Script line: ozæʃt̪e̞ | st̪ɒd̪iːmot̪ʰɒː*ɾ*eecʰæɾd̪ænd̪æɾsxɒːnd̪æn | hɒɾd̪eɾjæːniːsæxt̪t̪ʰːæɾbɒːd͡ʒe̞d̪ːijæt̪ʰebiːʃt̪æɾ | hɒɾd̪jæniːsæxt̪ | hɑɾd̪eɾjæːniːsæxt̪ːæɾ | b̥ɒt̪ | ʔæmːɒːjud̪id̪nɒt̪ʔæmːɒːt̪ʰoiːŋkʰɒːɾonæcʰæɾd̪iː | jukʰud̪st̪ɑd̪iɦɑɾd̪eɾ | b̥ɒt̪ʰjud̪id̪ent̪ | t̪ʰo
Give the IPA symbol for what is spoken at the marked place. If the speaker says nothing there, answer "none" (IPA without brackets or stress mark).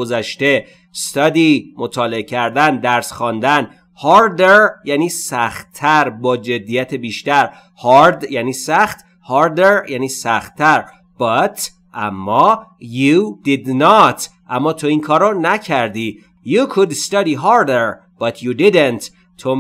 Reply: l